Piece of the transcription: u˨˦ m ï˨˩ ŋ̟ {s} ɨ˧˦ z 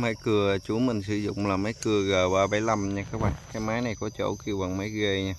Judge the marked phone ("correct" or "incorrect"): correct